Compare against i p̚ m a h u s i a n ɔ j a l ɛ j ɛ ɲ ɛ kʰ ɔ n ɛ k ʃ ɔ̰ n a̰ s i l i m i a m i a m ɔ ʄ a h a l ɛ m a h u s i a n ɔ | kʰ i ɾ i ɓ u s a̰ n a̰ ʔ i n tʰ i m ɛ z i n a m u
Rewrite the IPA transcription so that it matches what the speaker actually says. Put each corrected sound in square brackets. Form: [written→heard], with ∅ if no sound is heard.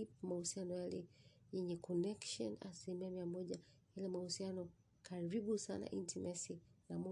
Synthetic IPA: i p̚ m a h u s i a n ɔ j a l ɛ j ɛ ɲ ɛ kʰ ɔ n ɛ k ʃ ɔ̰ n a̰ s i l i m i a m i a m ɔ ʄ a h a l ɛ m a h u s i a n ɔ | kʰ [i→a] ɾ i ɓ u s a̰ n a̰ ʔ i n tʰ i m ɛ [z→s] i n a m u